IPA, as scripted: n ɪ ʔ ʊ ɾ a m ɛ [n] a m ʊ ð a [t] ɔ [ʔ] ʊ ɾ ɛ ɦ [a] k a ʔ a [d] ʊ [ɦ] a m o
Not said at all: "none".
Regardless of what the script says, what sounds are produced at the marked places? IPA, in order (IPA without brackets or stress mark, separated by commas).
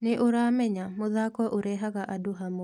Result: ɲ, k, ʔ, a, d, ɦ